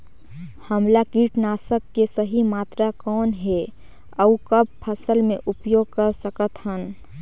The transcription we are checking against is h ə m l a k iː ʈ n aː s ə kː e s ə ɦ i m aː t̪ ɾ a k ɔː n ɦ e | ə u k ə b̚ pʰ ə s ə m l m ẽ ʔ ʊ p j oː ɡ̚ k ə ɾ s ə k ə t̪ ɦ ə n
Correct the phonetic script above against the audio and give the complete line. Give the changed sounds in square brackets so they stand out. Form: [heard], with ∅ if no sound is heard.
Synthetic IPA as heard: h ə m l a k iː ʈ n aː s ə kː e s ə ɦ i m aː t̪ ɾ a k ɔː n ɦ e | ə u k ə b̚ pʰ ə s ə [∅] l m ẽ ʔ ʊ p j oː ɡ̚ k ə ɾ s ə k ə t̪ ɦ ə n